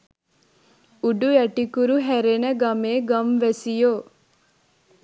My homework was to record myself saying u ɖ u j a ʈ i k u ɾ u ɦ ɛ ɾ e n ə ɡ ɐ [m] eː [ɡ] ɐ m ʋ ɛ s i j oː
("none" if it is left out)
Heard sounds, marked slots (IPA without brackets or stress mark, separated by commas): m, ɡ